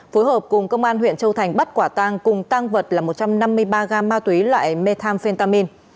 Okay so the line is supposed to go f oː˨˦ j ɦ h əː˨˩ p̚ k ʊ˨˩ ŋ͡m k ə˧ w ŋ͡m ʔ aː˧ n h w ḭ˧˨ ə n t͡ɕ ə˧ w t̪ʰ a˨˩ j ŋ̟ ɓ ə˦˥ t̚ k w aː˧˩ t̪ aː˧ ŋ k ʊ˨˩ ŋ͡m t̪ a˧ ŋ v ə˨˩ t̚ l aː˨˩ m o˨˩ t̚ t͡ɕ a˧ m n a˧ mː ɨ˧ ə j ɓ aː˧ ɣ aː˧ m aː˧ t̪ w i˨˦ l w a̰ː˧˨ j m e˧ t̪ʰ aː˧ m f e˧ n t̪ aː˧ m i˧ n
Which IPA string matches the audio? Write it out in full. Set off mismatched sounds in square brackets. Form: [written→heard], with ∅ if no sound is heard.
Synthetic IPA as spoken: f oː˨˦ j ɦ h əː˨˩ p̚ k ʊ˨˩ ŋ͡m k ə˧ w ŋ͡m ʔ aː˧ n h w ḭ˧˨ ə n t͡ɕ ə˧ w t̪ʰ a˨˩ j ŋ̟ ɓ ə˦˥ t̚ k w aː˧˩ t̪ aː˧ ŋ k ʊ˨˩ ŋ͡m t̪ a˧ ŋ v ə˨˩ t̚ l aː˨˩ m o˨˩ t̚ t͡ɕ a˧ m n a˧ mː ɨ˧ ə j ɓ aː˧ ɣ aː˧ m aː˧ t̪ w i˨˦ l w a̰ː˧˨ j m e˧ t̪ʰ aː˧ m f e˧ n t̪ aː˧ m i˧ n